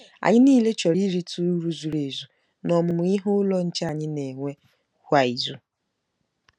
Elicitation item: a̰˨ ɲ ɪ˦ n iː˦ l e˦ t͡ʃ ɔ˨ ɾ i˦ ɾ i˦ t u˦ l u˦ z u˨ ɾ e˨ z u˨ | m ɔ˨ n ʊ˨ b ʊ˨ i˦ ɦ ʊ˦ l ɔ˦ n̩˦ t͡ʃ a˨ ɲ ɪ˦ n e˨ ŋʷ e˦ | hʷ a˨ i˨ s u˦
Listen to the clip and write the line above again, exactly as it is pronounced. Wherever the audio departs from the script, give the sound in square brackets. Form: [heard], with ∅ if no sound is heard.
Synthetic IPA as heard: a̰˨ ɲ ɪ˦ n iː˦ l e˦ t͡ʃ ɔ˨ ɾ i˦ ɾ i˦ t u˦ [ɾ] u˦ z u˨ ɾ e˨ z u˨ | [n] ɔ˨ [m] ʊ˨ [m] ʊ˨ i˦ ɦ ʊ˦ l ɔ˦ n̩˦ t͡ʃ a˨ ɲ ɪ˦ n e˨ ŋʷ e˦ | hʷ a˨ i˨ [z] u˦